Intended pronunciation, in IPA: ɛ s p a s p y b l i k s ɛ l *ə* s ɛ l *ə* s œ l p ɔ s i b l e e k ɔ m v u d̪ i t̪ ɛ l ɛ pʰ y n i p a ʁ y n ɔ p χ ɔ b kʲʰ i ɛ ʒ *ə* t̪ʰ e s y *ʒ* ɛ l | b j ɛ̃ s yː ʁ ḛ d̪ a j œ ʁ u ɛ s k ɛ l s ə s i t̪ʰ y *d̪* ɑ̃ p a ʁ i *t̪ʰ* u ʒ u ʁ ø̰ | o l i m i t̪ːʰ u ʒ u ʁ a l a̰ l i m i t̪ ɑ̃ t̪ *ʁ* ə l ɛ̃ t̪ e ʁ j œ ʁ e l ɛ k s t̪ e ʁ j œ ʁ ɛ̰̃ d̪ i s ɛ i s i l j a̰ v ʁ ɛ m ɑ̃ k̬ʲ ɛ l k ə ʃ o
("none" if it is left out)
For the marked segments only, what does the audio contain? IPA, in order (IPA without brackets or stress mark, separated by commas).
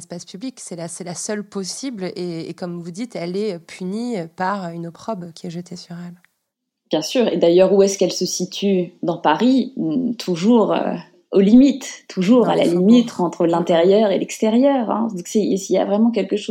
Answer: a, a, ə, ʁ, d̪, t̪ʰ, χ